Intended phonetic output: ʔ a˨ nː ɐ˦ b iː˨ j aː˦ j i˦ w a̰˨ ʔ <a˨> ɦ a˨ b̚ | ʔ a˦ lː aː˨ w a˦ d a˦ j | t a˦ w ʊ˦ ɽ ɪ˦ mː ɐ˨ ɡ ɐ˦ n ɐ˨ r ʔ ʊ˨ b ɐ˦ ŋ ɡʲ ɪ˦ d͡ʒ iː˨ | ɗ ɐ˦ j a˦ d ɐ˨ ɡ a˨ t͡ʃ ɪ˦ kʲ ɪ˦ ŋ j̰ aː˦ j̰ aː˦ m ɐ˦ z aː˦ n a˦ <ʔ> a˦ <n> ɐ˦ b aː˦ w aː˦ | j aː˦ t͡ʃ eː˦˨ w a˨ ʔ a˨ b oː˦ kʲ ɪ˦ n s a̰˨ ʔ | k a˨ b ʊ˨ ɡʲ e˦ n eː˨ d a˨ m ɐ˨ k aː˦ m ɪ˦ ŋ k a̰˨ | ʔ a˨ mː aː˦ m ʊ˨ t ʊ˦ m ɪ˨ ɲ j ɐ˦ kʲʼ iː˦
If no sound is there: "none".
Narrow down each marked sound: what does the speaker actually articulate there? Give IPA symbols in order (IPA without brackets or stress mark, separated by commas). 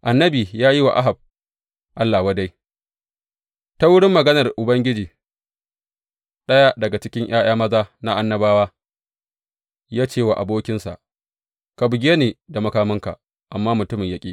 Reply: a˦, ʔ, nː